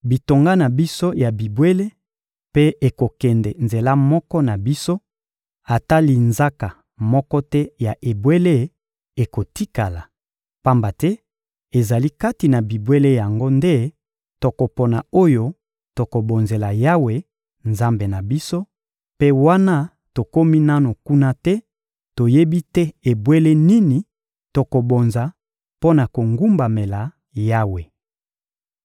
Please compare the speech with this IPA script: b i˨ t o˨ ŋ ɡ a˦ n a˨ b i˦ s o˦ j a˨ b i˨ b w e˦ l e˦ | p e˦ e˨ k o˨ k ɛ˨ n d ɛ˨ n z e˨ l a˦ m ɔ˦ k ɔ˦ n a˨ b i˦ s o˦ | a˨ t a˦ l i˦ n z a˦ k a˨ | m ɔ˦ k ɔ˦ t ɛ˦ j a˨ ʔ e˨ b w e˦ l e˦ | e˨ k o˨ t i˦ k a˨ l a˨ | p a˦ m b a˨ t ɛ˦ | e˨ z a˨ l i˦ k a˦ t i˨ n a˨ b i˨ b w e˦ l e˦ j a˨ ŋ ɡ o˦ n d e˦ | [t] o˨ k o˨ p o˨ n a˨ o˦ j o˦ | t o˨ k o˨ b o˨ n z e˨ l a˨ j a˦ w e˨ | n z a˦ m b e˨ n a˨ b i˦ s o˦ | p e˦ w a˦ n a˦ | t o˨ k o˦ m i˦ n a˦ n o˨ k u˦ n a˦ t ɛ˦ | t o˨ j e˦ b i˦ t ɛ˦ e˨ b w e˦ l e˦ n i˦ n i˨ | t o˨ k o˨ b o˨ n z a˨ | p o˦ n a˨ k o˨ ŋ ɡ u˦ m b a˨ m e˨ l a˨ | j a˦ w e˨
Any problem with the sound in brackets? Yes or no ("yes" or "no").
no